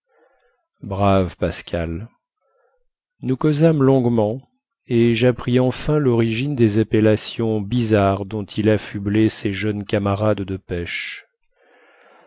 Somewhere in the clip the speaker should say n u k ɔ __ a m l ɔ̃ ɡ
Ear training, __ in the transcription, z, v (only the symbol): z